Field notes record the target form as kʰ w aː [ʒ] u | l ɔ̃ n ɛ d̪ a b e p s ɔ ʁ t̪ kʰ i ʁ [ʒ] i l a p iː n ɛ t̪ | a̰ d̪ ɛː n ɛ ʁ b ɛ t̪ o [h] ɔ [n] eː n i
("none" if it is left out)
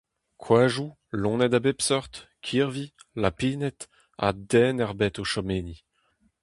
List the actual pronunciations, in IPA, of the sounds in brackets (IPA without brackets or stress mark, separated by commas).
ʒ, v, ʃ, m